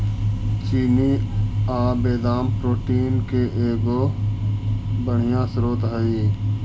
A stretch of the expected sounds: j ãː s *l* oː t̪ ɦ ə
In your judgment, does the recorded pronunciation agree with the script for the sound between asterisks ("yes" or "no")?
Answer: no